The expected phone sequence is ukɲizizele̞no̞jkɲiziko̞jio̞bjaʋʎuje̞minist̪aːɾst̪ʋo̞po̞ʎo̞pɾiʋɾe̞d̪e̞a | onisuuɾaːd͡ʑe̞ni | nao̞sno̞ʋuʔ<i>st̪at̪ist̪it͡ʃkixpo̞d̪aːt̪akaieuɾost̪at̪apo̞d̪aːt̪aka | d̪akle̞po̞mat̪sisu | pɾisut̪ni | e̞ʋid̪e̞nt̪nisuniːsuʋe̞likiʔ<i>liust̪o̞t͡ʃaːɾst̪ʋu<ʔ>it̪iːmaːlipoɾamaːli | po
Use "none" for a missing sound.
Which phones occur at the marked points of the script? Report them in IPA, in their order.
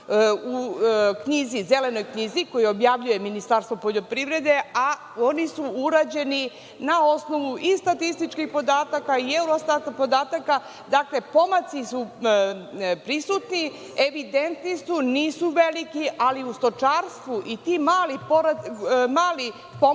i, a, ʔ

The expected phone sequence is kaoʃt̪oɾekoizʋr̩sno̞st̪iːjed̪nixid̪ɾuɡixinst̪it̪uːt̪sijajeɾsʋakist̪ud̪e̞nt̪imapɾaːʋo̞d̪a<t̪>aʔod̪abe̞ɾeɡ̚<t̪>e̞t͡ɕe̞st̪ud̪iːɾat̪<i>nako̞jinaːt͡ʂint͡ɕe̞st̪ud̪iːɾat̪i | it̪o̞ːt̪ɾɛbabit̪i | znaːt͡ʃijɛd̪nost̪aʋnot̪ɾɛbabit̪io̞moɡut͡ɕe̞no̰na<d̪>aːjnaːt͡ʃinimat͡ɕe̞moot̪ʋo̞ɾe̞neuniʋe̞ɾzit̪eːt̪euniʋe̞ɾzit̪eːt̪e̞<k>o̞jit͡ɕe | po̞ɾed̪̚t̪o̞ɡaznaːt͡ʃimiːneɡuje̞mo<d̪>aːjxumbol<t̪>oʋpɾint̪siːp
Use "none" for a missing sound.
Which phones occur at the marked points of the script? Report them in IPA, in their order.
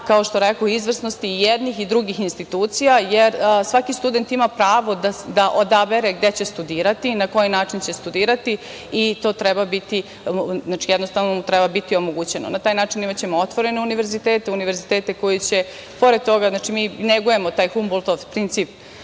d̪, d̪, i, t̪, k, t̪, t̪

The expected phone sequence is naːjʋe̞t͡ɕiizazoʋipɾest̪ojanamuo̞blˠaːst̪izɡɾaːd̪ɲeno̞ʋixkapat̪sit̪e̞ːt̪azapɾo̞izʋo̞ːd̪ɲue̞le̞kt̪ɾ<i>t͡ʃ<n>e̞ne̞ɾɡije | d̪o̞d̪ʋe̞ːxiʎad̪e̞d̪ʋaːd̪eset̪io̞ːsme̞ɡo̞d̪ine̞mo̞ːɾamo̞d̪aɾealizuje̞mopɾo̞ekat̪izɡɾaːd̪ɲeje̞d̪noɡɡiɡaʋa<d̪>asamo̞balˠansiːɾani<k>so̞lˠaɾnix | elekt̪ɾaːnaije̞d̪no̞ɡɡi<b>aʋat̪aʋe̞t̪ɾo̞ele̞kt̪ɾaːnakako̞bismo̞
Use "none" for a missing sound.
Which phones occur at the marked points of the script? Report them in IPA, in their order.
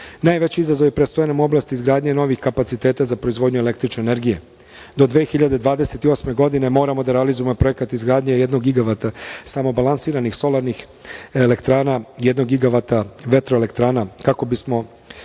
i, n, t̪, x, ɡ

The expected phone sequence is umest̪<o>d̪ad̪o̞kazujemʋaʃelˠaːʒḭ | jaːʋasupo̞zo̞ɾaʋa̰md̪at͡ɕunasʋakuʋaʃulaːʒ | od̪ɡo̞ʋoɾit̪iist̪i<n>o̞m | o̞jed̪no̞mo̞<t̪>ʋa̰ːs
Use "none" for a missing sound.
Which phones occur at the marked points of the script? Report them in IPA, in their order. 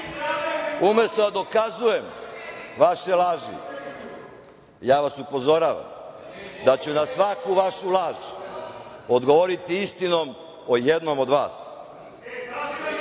o, n, d̪

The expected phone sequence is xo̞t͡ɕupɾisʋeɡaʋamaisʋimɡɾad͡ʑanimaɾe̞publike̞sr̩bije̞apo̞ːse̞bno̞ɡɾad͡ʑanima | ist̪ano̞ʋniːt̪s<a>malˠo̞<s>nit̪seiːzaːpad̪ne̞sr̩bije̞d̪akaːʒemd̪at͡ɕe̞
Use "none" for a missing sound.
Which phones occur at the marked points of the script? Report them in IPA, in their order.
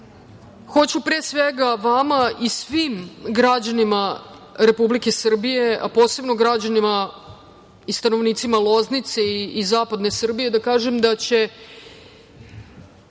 i, z

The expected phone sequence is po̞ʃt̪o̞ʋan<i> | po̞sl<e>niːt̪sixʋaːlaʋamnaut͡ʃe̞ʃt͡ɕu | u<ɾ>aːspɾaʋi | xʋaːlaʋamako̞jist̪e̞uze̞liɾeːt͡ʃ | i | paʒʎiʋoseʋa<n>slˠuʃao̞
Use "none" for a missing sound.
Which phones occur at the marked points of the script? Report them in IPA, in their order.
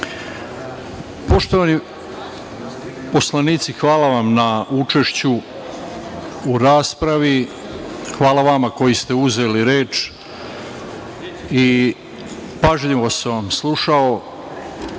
i, a, ɾ, m

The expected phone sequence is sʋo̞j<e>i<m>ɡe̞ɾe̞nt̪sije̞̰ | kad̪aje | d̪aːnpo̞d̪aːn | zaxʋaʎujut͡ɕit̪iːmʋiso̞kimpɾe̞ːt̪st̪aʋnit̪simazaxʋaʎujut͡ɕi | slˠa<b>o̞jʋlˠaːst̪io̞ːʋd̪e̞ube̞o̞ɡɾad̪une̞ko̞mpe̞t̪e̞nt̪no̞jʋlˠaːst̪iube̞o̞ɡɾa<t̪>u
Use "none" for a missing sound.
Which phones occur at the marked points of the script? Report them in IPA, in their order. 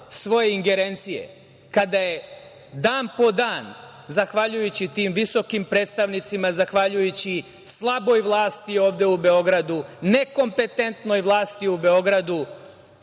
e, ŋ, b, d̪

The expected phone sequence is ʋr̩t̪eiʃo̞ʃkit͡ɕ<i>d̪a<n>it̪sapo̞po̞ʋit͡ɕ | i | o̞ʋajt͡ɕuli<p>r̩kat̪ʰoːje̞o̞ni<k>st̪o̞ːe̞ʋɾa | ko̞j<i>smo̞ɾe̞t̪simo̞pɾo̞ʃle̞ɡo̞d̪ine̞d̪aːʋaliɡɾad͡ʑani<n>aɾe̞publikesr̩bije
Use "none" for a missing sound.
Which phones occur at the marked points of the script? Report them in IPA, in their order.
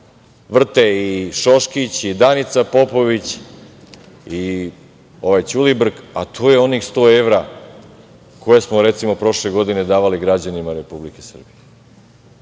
i, n, b, x, e, m

